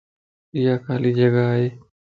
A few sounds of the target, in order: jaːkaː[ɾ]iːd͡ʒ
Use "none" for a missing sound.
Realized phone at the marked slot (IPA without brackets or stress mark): l